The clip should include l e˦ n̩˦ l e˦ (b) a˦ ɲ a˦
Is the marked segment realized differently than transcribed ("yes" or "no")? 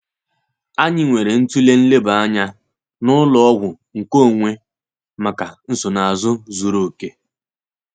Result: no